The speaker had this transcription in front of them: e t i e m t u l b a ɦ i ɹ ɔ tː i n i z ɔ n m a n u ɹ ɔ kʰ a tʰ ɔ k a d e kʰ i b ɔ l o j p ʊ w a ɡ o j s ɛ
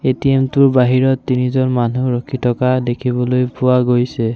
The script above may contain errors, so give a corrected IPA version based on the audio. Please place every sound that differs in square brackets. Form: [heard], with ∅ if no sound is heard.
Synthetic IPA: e t i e m t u [ɹ] b a ɦ i ɹ ɔ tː i n i z ɔ n m a n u ɹ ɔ kʰ [i] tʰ ɔ k a d e kʰ i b ɔ l o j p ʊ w a ɡ o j s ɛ